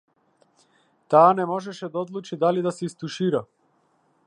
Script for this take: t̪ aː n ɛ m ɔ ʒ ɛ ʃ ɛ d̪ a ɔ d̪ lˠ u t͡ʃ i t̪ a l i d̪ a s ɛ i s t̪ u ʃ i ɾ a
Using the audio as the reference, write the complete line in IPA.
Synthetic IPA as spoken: t̪ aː n ɛ m ɔ ʒ ɛ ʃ ɛ d̪ a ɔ d̪ lˠ u t͡ʃ i d̪ a l i d̪ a s ɛ i s t̪ u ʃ i ɾ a

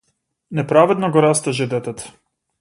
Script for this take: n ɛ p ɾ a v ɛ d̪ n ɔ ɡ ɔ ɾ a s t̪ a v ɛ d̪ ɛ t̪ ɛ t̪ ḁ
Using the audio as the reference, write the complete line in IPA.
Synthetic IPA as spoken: n ɛ p ɾ a v ɛ d̪ n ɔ ɡ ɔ ɾ a s t̪ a ʒ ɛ d̪ ɛ t̪ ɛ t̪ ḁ

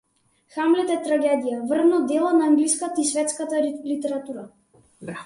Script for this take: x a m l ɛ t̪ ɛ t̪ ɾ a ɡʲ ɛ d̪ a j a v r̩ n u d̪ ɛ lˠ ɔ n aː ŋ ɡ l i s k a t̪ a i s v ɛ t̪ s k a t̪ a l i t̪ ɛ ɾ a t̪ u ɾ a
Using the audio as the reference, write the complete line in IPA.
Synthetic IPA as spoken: x a m l ɛ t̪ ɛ t̪ ɾ a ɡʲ ɛ d̪ i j a v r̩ n ɔ d̪ ɛ lˠ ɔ n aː ŋ ɡ l i s k a t̪ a i s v ɛ t̪ s k a t̪ a l i t̪ ɛ ɾ a t̪ u ɾ a

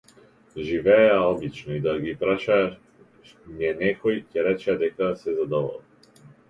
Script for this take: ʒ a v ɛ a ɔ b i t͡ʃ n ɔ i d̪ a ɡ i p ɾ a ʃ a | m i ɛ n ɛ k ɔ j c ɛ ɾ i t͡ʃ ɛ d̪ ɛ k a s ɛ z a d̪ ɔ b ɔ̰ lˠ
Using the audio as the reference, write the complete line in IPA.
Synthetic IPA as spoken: ʒ i v ɛ a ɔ b i t͡ʃ n ɔ i d̪ a ɡ i p ɾ a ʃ a | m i ɛ n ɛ k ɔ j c ɛ ɾ ɛ t͡ʃ ɛ d̪ ɛ k a s ɛ z a d̪ ɔ v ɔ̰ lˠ

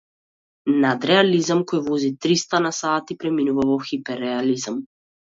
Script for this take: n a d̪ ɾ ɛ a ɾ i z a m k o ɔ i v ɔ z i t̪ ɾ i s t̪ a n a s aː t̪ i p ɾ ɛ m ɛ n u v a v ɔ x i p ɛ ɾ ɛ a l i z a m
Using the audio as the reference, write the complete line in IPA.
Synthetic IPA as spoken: n a d̪ ɾ ɛ a l i z a m k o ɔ j v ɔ z i t̪ ɾ i s t̪ a n a s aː t̪ i p ɾ ɛ m i n u v a v ɔ x i p ɛ ɾ ɛ a l i z a m

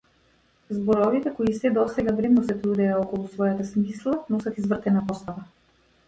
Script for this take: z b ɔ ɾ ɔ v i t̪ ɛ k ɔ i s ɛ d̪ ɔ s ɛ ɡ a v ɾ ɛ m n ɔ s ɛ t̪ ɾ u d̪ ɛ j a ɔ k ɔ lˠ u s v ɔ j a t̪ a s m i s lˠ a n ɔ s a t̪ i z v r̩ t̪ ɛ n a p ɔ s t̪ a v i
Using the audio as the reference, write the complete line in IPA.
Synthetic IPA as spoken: z b ɔ ɾ ɔ v i t̪ ɛ k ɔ i s ɛ d̪ ɔ s ɛ ɡ a v ɾ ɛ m n ɔ s ɛ t̪ ɾ u d̪ ɛ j a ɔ k ɔ lˠ u s v ɔ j a t̪ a s m i s lˠ a n ɔ s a t̪ i z v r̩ t̪ ɛ n a p ɔ s t̪ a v a

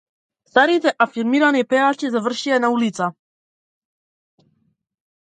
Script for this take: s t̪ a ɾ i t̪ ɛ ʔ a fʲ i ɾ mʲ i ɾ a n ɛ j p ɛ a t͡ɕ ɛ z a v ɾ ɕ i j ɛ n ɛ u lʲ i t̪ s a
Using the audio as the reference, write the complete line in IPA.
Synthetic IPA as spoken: s t̪ a ɾ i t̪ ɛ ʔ a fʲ i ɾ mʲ i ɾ a n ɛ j p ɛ a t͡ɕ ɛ z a v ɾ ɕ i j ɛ n a u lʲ i t̪ s a

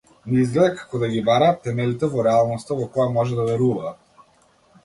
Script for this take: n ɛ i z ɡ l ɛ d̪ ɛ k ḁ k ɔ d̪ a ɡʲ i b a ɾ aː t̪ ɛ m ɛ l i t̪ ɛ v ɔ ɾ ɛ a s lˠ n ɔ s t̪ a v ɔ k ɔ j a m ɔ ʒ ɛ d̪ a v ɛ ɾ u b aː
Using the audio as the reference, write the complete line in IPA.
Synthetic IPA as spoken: n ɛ i z ɡ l ɛ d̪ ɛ k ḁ k ɔ d̪ a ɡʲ i b a ɾ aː t̪ ɛ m ɛ l i t̪ ɛ v ɔ ɾ ɛ a lˠ n ɔ s t̪ a v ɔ k ɔ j a m ɔ ʒ ɛ d̪ a v ɛ ɾ u v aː

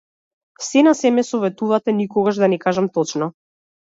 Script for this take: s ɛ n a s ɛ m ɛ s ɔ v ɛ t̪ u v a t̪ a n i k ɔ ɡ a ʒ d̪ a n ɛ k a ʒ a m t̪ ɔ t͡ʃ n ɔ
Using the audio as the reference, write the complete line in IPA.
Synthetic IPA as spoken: s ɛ n a s ɛ m ɛ s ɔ v ɛ t̪ u v a t̪ ɛ n i k ɔ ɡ a ʒ d̪ a n ɛ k a ʒ a m t̪ ɔ t͡ʃ n ɔ

